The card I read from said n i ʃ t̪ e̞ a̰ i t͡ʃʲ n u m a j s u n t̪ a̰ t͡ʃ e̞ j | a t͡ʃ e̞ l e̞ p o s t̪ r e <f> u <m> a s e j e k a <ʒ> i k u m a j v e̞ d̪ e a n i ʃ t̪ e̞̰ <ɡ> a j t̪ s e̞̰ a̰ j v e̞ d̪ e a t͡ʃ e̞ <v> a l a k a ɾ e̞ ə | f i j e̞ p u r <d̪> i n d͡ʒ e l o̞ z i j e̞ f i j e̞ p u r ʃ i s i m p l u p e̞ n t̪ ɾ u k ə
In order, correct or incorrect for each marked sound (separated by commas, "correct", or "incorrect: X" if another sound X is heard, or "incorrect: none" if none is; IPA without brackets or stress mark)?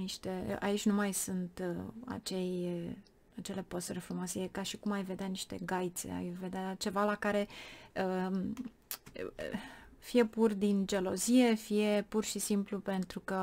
correct, correct, incorrect: ʃ, correct, correct, correct